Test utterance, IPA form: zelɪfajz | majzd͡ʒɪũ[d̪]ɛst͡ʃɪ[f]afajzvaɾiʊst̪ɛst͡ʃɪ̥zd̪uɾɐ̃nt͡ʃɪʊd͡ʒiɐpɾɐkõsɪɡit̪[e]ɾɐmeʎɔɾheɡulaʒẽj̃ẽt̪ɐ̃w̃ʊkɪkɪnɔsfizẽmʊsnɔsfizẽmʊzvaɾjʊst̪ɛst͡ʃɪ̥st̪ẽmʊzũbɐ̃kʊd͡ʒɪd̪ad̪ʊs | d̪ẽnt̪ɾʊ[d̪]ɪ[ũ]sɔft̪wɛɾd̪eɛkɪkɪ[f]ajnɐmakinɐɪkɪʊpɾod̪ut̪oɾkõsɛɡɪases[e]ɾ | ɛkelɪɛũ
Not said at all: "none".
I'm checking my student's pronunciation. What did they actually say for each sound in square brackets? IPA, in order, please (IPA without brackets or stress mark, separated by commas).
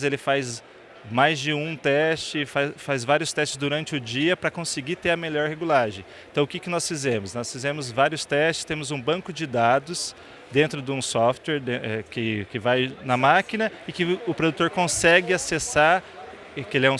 t̪, f, e, d̪, ũ, v, a